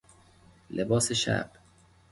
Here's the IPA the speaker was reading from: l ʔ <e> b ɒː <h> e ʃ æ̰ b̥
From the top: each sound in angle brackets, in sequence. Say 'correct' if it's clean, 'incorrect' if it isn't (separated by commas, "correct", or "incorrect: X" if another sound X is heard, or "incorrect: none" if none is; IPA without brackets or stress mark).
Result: correct, incorrect: s